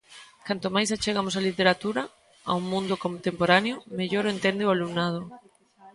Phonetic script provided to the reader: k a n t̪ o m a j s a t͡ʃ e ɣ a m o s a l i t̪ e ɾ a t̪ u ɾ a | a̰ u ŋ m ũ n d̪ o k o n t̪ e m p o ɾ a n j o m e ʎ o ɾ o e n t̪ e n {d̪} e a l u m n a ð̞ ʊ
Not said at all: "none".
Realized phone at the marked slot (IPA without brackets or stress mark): d̪